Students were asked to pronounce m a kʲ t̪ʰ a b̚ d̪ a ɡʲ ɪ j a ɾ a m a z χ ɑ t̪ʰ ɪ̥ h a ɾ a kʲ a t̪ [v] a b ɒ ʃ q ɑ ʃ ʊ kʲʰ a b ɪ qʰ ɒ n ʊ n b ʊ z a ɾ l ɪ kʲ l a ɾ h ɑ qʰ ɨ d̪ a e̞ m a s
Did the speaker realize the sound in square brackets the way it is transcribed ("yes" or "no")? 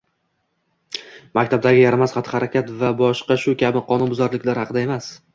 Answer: yes